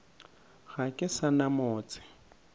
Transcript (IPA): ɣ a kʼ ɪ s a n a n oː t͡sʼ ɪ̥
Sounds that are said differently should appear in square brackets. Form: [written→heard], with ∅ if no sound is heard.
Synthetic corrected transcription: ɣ a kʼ ɪ s a n a [n→m] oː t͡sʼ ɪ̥